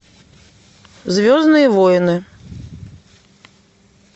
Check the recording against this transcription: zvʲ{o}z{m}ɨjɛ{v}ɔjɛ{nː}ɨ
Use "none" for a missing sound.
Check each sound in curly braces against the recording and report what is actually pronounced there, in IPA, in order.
ɔ, n, v, n

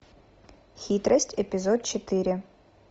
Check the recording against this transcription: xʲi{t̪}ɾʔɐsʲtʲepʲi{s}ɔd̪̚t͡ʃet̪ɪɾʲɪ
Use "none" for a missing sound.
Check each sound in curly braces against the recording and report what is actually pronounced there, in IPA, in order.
t̪, z

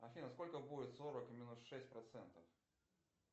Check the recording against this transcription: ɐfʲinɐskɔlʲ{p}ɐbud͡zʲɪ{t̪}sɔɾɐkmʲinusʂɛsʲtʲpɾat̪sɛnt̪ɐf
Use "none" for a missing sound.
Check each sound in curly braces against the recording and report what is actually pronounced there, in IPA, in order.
k, t̪

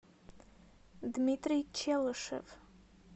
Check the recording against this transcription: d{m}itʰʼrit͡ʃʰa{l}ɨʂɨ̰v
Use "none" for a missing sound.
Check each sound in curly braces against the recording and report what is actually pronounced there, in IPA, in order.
m, l

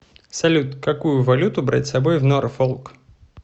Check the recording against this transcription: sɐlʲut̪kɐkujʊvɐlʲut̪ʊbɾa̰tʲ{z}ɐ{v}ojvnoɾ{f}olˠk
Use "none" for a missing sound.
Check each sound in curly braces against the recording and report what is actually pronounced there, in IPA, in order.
s, b, f

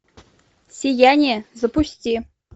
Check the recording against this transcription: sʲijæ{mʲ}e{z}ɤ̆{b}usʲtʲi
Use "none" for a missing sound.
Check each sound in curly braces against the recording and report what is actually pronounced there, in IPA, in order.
nʲ, z, p

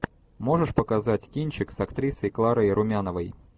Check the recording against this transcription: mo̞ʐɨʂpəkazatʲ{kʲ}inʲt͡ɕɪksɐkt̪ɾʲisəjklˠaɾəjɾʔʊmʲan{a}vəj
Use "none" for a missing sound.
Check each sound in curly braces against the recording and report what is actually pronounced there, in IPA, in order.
kʲ, ə

